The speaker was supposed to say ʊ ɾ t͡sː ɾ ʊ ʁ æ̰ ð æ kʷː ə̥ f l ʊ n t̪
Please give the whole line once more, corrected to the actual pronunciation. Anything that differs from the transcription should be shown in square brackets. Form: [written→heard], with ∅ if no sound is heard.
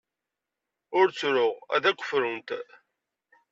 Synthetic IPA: ʊ ɾ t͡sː ɾ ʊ ʁ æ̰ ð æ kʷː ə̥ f [l→ɾ] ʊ n t̪